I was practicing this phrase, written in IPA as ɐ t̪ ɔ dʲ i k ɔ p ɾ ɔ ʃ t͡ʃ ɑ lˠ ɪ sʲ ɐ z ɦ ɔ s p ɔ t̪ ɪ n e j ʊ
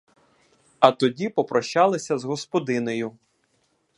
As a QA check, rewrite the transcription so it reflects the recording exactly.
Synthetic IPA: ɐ t̪ ɔ dʲ i p ɔ p ɾ ɔ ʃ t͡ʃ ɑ lˠ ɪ sʲ ɐ z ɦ ɔ s p ɔ d̪ ɪ n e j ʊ